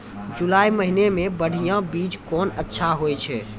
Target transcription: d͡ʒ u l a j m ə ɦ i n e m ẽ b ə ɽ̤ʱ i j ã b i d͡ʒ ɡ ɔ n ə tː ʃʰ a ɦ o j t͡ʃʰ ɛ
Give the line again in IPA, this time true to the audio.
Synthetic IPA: d͡ʒ u l a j m ə ɦ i n e m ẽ b ə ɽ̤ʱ i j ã b i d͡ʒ k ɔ n ə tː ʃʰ a ɦ o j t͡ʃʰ ɛ